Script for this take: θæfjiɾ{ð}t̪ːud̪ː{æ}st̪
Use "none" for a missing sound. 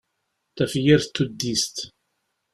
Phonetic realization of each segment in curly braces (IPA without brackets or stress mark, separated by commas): θ, i